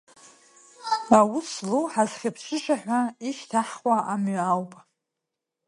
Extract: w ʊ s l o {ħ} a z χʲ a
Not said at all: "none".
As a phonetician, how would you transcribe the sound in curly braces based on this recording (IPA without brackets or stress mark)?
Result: ħ